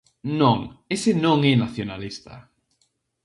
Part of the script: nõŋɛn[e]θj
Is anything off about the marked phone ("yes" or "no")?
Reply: yes